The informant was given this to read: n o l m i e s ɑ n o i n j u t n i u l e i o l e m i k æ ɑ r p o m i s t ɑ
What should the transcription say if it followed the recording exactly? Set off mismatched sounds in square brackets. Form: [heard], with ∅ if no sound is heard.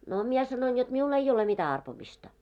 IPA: n o [∅] m i e s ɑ n o i n j [o] t [m] i u l e i o l e m i [t] æ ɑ r p o m i s t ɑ